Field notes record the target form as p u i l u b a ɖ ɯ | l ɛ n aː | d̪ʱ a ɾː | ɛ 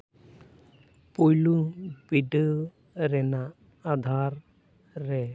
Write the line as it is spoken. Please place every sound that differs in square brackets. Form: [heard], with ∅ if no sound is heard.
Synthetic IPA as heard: p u [j] l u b [i] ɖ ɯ | [ɾ] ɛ n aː | d̪ʱ a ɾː | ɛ